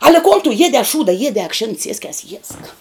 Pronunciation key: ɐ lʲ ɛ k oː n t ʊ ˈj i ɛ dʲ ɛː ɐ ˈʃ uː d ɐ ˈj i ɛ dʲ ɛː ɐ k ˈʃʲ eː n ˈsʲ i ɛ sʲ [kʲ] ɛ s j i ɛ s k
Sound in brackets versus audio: correct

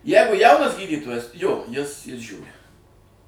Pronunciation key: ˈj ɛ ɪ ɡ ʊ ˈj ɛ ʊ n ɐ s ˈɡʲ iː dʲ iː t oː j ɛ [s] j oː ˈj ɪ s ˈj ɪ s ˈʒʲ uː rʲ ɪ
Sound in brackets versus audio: correct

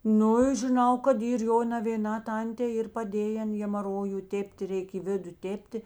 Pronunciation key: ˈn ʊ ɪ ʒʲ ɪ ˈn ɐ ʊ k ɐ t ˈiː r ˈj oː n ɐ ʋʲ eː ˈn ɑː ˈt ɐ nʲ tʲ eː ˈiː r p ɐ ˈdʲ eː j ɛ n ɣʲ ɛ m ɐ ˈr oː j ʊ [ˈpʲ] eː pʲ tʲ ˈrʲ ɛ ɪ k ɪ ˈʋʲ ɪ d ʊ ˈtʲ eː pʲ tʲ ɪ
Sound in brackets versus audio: incorrect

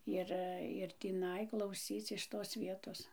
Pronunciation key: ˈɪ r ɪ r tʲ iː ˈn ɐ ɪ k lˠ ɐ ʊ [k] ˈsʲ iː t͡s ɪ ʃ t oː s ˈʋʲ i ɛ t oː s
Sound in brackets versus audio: incorrect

